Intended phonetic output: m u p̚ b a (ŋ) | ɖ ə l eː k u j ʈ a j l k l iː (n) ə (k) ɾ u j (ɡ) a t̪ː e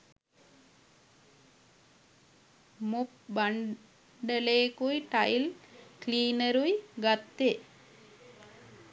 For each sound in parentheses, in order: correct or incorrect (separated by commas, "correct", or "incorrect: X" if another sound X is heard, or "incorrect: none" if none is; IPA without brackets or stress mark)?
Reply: incorrect: ɳ, correct, incorrect: none, correct